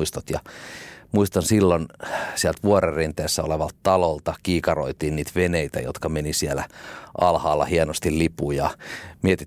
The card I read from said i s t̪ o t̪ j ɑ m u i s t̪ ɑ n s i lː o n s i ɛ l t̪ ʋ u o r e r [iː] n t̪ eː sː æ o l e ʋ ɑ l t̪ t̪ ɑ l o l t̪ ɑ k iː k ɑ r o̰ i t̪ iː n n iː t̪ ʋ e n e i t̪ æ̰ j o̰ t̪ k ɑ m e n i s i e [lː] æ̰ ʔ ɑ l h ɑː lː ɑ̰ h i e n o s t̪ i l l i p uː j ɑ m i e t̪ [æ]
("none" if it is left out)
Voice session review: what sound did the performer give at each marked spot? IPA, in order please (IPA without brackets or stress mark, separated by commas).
i, l, i